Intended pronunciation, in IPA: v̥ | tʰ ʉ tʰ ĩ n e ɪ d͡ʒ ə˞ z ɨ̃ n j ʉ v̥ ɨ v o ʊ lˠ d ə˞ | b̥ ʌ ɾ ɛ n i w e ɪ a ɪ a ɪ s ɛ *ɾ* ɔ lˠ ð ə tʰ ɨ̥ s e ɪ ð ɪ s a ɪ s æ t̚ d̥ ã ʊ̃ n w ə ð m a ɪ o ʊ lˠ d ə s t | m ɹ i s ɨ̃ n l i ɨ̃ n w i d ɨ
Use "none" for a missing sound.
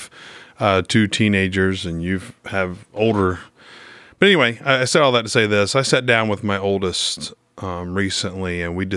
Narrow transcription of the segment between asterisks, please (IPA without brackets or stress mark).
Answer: ɾ